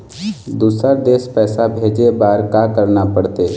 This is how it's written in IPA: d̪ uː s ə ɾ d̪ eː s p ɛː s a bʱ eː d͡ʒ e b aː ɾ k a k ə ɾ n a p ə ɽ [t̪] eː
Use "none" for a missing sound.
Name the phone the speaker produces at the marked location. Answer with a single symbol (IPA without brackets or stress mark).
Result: t̪